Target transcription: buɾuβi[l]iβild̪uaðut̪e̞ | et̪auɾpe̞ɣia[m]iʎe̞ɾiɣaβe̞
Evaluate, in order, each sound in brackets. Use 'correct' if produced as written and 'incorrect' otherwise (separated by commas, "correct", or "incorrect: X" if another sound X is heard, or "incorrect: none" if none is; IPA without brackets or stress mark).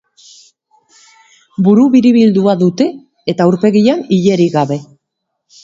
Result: incorrect: ɾ, incorrect: n